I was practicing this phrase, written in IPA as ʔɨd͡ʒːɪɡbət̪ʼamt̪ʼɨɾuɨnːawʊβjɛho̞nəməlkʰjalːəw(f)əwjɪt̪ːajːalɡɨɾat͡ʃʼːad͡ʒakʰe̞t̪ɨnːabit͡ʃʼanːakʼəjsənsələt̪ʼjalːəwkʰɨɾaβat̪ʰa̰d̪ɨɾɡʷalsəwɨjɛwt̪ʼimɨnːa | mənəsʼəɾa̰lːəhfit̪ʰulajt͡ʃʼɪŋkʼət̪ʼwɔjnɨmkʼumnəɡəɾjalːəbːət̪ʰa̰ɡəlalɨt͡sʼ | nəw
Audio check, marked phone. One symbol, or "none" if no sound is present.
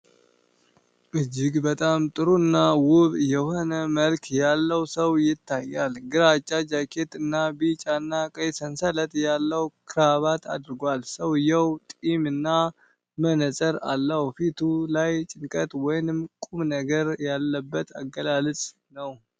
s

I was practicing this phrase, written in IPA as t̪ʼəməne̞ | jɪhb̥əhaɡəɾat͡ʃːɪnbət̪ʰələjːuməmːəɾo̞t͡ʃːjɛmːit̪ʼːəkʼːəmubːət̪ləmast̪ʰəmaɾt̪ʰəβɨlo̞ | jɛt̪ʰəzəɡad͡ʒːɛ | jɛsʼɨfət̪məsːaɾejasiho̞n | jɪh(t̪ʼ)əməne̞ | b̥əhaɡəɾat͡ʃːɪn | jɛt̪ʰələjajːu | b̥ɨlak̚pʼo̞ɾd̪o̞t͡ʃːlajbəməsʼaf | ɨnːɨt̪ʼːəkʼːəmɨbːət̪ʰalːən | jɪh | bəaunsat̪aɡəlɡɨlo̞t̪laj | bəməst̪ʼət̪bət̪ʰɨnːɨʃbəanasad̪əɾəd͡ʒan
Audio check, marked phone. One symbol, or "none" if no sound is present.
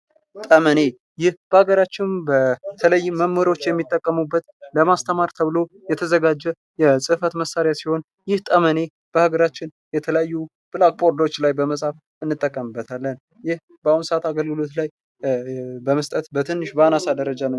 t̪ʼ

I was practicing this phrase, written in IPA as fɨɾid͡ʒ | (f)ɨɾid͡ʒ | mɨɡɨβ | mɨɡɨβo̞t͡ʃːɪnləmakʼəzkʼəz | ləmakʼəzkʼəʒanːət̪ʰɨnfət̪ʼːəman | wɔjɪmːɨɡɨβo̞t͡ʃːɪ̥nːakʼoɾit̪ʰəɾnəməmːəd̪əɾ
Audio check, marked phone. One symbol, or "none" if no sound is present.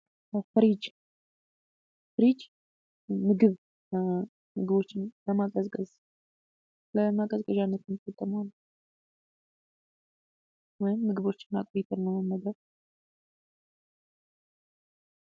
f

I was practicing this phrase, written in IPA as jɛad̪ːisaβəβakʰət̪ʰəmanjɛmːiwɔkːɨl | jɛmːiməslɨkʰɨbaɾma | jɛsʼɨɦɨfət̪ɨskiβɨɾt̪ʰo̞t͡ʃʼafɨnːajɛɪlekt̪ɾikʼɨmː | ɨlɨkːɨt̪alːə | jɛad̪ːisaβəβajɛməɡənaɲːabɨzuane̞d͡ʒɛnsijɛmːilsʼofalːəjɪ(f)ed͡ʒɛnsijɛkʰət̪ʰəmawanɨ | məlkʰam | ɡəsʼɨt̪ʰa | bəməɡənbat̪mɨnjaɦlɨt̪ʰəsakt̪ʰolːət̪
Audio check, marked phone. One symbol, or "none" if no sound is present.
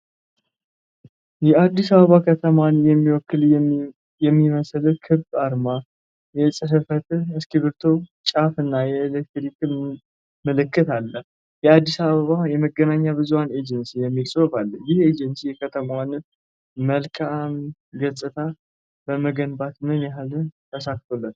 h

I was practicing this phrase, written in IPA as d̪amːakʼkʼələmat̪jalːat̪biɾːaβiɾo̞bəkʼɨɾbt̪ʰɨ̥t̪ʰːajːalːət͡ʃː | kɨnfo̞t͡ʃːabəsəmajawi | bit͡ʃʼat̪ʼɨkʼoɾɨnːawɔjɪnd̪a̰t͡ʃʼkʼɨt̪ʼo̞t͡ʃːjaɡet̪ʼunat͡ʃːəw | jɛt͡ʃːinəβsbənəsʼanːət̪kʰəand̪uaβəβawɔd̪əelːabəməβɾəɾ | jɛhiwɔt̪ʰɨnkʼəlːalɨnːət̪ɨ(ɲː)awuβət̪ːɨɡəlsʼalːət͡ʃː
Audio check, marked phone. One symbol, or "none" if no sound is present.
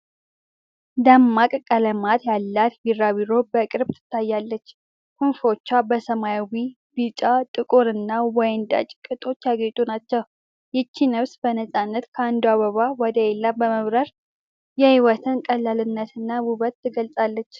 nː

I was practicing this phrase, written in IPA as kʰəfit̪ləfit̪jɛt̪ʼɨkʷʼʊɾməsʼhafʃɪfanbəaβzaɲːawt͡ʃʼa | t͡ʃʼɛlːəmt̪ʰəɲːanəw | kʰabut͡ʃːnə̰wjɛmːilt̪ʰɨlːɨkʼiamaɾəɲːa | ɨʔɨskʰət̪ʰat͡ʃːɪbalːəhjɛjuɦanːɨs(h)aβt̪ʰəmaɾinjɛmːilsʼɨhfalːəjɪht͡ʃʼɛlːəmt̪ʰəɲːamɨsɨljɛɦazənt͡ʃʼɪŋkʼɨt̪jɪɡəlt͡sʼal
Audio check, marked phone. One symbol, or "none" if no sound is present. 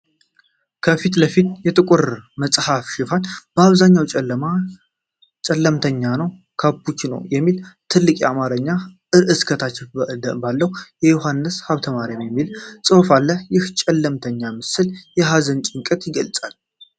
h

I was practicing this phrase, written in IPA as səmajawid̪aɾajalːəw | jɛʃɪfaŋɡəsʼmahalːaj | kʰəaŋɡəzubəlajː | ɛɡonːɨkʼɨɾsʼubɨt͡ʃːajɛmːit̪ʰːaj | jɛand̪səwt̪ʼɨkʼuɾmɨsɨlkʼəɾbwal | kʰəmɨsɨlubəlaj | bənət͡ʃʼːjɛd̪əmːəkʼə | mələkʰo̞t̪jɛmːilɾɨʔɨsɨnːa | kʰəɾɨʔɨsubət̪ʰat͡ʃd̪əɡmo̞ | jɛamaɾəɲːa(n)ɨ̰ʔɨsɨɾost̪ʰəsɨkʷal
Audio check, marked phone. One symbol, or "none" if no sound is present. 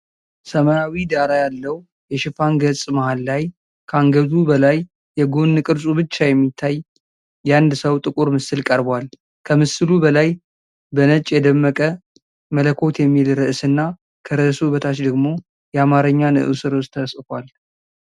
n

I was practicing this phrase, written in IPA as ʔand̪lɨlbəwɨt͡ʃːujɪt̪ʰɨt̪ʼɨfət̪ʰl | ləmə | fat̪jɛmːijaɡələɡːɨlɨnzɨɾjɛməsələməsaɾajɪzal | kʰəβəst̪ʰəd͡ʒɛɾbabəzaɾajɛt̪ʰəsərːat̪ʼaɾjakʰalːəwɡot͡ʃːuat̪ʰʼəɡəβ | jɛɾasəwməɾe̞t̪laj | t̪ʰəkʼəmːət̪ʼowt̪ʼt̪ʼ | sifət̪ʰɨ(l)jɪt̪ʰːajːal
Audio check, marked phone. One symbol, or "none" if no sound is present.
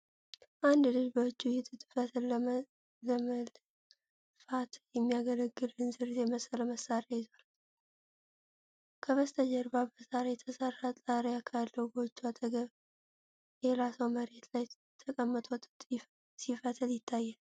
l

